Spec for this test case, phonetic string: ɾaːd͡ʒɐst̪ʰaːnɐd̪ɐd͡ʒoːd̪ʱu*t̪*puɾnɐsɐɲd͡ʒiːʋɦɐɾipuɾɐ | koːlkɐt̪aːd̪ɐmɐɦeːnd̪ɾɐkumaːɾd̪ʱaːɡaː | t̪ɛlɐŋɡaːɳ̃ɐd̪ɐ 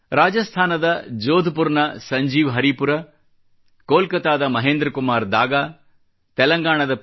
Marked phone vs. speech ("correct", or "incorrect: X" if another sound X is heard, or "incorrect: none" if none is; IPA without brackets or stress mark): incorrect: none